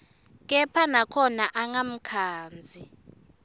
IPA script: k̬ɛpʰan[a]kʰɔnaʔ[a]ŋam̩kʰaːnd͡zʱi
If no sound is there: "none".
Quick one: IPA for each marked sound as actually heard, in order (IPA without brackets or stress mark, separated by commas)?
a, a